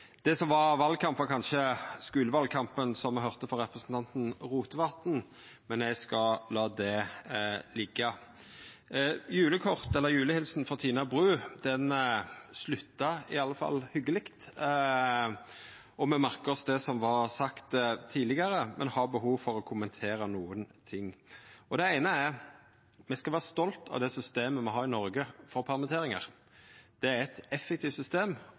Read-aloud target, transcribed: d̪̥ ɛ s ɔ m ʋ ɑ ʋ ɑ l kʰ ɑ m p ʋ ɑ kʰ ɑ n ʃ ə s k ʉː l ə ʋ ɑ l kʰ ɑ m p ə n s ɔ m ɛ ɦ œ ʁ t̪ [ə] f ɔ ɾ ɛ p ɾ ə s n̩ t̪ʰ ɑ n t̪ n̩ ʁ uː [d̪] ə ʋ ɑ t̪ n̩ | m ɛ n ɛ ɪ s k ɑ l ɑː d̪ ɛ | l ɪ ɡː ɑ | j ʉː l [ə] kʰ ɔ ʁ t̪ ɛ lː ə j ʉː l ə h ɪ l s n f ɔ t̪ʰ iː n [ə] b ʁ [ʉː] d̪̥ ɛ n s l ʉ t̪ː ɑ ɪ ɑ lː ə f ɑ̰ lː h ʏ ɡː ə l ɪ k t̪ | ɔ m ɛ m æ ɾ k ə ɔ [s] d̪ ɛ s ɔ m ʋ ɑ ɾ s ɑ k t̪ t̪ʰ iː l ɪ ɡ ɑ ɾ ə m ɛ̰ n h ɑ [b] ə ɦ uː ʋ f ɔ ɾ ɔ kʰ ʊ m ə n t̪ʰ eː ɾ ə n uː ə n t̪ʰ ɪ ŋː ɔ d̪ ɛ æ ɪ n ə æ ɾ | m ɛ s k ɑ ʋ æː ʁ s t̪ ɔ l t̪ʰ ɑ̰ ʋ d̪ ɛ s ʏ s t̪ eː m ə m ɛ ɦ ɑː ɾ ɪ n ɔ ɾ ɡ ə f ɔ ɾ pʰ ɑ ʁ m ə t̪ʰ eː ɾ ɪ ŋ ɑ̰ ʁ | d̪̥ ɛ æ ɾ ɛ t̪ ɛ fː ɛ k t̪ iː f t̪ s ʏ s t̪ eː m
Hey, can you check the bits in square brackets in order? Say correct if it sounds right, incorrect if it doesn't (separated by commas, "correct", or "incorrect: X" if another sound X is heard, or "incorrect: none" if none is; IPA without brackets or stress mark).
correct, incorrect: t̪, correct, incorrect: ɑ, correct, correct, correct